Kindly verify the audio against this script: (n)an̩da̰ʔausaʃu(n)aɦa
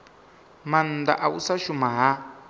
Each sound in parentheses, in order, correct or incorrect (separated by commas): incorrect, incorrect